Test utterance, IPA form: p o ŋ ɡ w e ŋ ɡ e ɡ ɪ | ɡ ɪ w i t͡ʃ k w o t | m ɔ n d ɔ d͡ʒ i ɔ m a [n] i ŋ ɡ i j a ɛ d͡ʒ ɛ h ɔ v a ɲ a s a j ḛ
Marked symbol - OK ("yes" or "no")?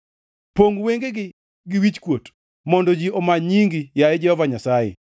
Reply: no